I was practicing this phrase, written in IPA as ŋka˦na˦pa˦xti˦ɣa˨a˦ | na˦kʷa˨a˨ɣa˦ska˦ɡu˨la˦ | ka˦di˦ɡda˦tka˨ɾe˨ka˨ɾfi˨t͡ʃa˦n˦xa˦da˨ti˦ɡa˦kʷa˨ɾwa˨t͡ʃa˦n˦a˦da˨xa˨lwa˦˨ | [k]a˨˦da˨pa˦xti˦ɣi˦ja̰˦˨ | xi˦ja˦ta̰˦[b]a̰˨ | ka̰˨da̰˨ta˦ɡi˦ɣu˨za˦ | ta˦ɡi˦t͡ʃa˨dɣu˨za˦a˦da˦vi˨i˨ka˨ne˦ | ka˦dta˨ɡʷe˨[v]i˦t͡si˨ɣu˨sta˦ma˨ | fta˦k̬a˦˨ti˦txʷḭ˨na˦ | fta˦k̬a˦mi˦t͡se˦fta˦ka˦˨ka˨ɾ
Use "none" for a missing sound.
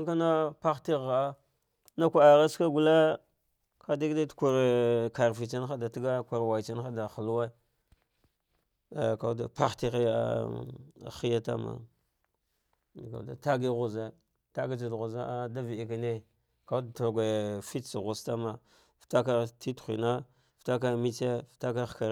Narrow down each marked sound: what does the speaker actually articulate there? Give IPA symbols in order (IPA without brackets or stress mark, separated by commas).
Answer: k, m, f